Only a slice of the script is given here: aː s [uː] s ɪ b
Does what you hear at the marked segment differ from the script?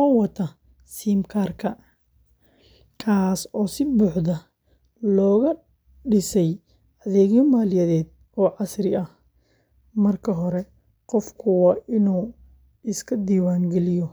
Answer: yes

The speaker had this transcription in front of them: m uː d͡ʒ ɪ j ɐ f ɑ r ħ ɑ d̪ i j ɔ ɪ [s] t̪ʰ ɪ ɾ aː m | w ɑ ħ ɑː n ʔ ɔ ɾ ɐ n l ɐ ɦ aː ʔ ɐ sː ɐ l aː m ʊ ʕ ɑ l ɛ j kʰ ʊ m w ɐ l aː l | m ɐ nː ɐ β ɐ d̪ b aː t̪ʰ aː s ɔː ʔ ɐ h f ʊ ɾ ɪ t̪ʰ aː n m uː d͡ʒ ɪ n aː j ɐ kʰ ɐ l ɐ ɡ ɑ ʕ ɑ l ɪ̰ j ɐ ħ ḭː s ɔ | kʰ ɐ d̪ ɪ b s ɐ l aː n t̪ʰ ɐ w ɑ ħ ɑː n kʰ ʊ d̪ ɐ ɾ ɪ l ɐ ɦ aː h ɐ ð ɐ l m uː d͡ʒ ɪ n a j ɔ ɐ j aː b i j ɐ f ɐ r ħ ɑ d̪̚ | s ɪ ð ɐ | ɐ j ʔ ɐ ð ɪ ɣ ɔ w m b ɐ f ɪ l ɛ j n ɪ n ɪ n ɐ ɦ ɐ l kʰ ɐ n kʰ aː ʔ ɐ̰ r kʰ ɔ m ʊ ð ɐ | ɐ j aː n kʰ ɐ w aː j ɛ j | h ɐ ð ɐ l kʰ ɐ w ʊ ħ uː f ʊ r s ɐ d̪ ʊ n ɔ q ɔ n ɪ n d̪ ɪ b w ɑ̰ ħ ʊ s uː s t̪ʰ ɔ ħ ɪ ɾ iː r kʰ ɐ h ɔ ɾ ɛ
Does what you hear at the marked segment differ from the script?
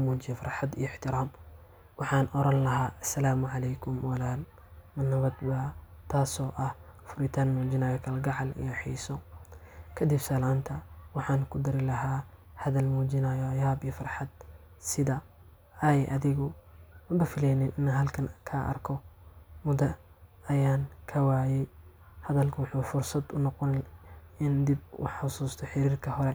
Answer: yes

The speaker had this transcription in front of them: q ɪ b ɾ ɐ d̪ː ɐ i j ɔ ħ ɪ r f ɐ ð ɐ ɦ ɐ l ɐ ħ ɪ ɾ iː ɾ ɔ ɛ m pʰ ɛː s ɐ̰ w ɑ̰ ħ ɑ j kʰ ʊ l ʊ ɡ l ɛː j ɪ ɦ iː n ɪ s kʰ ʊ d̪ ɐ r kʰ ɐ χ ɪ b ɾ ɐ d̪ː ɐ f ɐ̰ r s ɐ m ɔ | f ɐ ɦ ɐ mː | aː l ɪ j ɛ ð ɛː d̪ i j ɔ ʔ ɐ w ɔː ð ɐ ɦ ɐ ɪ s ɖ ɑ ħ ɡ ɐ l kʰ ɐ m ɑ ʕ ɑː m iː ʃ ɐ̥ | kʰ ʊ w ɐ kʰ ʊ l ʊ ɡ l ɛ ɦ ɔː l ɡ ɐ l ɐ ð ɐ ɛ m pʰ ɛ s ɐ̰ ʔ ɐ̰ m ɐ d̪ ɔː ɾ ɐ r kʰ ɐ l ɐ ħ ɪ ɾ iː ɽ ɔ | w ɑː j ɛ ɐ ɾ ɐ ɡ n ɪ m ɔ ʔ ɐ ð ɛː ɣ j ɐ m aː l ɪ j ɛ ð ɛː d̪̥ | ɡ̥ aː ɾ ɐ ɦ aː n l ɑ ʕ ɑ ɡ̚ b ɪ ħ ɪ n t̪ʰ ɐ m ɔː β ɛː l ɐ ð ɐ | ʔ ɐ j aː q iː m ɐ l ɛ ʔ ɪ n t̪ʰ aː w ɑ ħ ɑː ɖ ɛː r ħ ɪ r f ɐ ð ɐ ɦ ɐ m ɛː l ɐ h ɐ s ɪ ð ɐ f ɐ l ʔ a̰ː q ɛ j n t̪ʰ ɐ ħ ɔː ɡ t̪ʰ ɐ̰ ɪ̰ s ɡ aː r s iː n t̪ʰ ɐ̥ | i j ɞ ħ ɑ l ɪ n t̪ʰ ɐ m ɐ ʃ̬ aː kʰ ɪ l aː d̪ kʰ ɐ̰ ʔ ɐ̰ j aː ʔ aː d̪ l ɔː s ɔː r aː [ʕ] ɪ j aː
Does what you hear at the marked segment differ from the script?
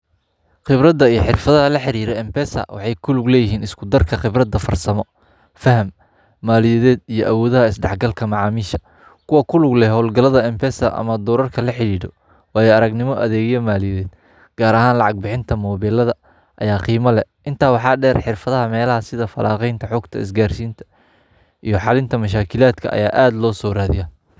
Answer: yes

